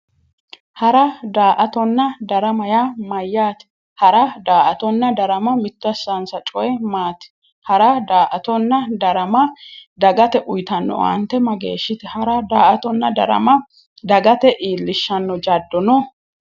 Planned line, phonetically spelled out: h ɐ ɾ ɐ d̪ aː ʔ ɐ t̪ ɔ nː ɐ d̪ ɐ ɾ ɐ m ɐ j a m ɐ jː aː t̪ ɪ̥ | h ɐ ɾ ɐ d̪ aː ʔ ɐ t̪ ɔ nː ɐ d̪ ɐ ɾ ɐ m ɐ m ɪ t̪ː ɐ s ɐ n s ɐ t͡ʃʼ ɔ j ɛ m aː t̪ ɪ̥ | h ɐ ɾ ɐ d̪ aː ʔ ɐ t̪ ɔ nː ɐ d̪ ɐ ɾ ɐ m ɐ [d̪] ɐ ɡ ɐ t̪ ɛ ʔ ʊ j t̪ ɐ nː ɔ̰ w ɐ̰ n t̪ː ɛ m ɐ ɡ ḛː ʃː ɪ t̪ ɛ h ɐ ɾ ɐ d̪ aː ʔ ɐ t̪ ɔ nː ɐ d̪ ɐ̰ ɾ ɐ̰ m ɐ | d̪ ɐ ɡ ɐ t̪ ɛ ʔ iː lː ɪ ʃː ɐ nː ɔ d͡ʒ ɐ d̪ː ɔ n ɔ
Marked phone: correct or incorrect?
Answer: correct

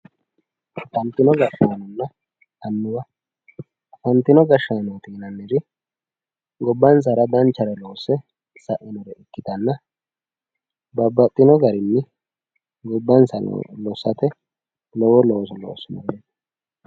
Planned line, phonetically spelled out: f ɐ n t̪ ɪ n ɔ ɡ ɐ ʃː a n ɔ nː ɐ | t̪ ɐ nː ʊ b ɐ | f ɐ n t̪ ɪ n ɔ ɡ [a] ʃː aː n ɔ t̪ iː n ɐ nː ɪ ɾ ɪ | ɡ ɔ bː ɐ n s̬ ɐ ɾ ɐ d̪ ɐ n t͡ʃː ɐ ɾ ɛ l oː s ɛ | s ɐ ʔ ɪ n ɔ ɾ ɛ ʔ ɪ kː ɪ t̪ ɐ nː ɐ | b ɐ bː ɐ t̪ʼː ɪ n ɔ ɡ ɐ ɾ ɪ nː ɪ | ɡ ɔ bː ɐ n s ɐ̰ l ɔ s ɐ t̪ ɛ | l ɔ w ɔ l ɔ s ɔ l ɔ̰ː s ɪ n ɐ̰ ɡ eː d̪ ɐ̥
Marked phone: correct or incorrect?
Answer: incorrect: ɐ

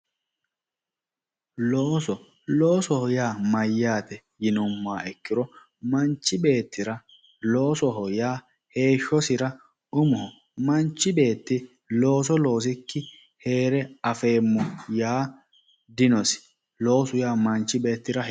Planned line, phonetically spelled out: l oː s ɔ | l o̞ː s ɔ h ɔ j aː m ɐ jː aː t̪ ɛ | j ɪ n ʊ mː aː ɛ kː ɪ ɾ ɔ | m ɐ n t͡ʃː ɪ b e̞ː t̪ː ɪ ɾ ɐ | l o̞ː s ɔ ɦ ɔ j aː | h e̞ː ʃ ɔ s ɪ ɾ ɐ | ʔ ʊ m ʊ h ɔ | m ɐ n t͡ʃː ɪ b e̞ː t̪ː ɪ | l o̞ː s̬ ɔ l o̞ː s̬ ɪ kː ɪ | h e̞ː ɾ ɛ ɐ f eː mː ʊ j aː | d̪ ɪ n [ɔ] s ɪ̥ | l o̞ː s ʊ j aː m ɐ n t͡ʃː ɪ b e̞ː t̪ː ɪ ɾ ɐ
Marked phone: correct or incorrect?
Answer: correct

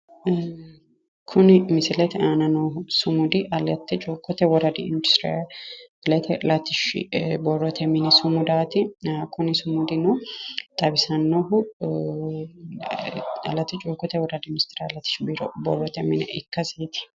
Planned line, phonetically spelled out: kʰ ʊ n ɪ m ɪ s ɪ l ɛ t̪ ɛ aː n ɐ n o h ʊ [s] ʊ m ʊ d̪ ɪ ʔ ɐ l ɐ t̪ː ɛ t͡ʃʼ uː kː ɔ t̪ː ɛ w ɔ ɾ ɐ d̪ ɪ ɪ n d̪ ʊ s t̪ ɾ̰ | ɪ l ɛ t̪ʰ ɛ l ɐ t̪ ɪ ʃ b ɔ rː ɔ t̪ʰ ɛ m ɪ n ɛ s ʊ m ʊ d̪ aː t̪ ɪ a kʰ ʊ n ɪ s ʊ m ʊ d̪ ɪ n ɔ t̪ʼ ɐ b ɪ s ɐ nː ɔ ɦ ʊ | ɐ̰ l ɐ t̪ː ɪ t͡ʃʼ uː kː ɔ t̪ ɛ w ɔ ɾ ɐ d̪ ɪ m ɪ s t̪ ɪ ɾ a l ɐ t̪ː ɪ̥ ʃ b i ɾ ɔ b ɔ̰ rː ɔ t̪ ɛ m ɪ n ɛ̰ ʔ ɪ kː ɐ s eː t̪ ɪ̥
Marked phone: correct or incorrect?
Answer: correct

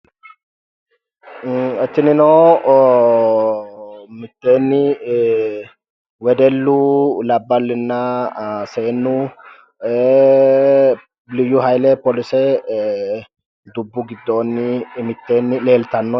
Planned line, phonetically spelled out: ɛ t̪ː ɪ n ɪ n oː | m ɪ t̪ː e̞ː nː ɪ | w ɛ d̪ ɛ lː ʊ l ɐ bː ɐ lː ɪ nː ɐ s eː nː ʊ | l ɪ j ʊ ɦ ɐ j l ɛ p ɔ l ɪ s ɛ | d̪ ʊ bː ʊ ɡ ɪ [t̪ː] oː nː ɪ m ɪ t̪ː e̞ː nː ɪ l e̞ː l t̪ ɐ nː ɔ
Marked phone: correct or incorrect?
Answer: incorrect: d̪ː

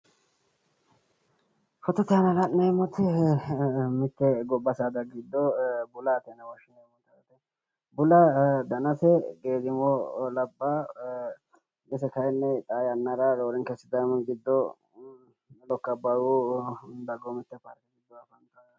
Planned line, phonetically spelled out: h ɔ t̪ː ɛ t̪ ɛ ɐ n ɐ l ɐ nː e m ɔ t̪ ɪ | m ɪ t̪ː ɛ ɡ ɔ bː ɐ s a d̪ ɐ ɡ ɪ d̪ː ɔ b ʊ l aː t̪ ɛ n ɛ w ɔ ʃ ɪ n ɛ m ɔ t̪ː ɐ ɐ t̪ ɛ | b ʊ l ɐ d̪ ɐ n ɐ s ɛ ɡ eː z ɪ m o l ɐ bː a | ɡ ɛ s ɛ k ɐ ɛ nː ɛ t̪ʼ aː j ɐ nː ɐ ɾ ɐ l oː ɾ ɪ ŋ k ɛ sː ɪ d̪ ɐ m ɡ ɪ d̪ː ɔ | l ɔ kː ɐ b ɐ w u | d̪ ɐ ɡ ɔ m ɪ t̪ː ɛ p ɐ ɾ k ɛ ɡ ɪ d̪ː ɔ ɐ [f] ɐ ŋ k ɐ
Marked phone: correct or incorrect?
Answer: correct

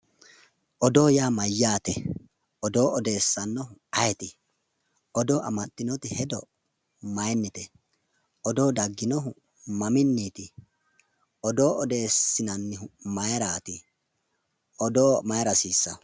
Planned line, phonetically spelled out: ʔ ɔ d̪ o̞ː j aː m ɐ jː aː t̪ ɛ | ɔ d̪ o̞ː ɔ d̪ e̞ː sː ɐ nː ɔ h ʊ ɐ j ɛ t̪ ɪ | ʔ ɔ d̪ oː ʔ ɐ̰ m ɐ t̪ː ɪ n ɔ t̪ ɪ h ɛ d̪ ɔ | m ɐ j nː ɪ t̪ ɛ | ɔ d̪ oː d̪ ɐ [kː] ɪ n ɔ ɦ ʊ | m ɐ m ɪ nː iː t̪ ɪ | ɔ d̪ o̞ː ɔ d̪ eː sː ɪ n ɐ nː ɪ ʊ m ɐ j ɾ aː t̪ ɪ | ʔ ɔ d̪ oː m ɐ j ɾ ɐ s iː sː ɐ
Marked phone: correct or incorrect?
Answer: incorrect: ɡː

